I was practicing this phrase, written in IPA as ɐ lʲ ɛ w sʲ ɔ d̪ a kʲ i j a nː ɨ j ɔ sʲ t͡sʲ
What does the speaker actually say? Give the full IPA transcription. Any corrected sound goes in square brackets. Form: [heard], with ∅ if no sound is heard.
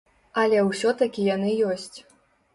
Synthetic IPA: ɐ lʲ ɛ w sʲ ɔ [t̪] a kʲ i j a [n] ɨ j ɔ sʲ t͡sʲ